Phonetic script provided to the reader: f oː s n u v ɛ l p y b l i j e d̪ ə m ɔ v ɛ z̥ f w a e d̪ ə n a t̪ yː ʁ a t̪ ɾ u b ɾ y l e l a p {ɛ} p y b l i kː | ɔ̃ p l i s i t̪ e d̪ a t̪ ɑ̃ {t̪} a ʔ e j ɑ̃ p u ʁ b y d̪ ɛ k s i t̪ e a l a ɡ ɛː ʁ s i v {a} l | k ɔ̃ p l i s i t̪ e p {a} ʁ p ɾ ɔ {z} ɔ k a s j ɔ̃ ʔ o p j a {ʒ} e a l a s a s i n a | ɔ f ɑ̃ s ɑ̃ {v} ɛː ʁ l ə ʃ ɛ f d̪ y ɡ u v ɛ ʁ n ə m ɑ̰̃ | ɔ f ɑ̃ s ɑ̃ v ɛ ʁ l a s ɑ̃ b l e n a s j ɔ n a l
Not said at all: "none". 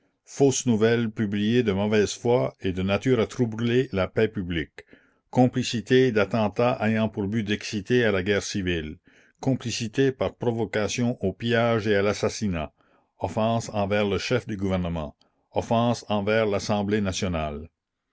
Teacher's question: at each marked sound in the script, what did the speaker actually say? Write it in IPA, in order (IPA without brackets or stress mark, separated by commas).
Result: ɛ, t̪, i, a, v, ʒ, v